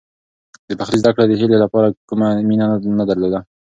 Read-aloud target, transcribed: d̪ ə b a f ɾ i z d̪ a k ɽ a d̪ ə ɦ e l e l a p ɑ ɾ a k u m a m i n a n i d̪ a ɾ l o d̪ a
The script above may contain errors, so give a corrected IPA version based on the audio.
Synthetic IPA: d̪ ə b a x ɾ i z d̪ a k ɽ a d̪ ə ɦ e l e l a p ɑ ɾ a k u m a m i n a n a d̪ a ɾ l o d̪ a